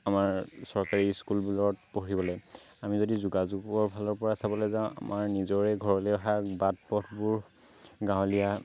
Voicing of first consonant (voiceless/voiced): voiced